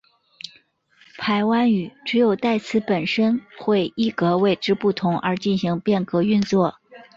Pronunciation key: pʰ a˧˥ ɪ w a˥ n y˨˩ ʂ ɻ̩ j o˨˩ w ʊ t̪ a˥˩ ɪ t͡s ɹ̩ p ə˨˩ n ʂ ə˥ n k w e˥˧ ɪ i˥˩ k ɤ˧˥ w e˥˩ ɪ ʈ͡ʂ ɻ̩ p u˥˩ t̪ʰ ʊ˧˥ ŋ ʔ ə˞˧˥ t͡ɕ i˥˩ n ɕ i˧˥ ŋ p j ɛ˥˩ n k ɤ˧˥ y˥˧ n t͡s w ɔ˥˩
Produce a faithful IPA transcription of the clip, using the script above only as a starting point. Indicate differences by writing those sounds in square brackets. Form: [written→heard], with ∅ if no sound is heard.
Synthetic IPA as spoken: pʰ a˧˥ ɪ w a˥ n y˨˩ [ʂ→ʈ͡ʂ] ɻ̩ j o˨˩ [w→∅] ʊ t̪ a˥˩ ɪ [t͡s→t͡sʰ] ɹ̩ p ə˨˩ n ʂ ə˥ n [k→x] w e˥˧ ɪ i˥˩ k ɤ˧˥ w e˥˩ ɪ ʈ͡ʂ ɻ̩ p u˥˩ t̪ʰ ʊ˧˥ ŋ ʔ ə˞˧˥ t͡ɕ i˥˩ n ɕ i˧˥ ŋ p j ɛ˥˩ n k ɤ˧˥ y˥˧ n t͡s w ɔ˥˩